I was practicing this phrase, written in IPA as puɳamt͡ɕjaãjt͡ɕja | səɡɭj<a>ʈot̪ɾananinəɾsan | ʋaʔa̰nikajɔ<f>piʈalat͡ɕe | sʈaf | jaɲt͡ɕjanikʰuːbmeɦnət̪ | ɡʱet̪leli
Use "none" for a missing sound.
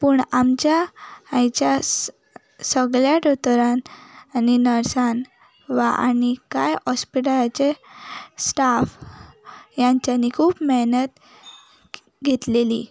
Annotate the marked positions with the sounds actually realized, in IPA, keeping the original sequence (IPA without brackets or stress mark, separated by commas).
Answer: a, s